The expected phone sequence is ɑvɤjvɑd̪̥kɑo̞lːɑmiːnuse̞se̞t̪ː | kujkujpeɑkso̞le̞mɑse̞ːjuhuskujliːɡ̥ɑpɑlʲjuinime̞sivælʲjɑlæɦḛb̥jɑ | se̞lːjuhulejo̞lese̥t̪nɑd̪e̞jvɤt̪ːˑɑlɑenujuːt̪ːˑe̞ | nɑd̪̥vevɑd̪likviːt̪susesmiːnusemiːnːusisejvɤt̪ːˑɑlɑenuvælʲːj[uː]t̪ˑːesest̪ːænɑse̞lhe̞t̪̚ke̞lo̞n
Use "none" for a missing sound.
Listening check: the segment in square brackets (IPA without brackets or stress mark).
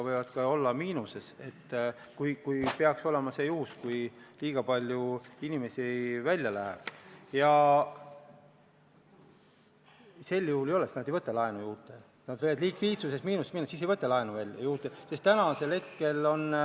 uː